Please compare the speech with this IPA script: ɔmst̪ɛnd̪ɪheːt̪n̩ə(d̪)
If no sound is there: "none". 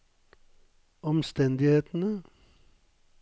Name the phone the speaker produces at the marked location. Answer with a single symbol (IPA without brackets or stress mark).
none